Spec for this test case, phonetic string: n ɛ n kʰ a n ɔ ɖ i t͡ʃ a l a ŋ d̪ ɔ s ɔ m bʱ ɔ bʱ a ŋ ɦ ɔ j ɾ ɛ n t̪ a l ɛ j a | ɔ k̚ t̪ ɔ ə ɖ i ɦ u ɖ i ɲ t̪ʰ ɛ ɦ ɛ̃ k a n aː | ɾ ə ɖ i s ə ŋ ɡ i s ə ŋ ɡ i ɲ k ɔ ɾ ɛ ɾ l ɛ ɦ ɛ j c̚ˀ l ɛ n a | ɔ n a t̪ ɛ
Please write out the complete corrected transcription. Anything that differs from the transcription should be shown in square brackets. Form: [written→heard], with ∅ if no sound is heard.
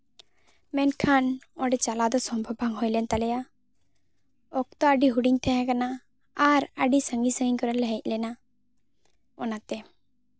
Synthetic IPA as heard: [n→m] ɛ n kʰ a n ɔ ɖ [i→ɛ] t͡ʃ a l a [ŋ→∅] d̪ ɔ s ɔ m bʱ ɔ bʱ a ŋ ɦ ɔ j [ɾ→l] ɛ n t̪ a l ɛ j a | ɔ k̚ t̪ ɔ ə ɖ i ɦ u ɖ i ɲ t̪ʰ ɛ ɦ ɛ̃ k a n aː | ɾ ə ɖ i s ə ŋ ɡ i s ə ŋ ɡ i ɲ k ɔ ɾ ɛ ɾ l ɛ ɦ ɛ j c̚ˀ l ɛ n a | ɔ n a t̪ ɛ